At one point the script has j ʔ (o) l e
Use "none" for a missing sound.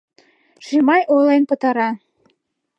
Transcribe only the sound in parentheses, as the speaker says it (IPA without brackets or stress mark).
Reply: o